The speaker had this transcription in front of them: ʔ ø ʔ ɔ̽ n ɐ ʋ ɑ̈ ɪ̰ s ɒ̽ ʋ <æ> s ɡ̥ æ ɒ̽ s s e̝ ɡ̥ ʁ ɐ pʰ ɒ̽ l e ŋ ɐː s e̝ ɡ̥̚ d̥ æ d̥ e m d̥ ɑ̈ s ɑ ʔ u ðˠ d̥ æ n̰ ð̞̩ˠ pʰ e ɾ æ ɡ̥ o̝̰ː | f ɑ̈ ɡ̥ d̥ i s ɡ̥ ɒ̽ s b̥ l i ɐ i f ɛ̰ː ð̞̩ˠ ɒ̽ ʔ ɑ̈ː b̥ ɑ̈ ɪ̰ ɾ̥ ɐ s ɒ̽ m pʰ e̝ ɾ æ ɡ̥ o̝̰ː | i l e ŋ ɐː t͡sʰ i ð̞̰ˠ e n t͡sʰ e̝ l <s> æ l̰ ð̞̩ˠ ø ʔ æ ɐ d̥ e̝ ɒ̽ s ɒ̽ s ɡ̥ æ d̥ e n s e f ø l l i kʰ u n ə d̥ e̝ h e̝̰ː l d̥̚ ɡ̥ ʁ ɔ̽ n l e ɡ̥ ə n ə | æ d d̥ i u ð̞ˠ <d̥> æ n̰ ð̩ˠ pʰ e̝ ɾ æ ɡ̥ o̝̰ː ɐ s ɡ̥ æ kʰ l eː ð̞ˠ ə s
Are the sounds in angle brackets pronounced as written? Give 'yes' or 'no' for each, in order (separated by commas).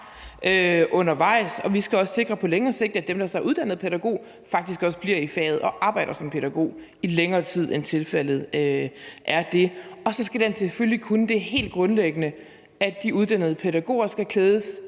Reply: no, no, yes